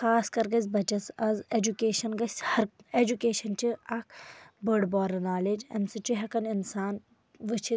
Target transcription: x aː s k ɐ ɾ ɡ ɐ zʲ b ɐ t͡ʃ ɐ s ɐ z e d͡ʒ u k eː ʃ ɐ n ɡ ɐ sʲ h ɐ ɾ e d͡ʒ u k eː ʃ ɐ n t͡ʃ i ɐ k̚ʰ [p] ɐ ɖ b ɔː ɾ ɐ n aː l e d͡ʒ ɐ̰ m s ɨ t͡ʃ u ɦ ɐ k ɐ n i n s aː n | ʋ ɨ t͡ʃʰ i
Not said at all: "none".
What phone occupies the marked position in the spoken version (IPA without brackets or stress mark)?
b